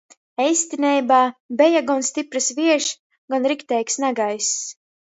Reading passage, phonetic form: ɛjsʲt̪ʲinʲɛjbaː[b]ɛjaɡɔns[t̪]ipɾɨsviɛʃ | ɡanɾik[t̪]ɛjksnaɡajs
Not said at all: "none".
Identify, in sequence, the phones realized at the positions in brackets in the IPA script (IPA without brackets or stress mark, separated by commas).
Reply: b, t̪, t̪